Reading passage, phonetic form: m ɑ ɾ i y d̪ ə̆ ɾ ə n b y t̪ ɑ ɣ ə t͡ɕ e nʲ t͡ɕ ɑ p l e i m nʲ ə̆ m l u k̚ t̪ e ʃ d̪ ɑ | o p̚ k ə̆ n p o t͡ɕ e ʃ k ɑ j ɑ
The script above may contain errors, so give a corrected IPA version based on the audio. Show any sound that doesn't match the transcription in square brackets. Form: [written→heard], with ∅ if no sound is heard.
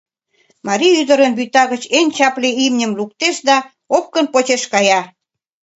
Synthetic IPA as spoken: m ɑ ɾ i y d̪ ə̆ ɾ ə n b y t̪ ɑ ɣ ə t͡ɕ e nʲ t͡ɕ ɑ p l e i m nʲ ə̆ m l u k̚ t̪ e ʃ d̪ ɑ | o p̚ k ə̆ n p o t͡ɕ e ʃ k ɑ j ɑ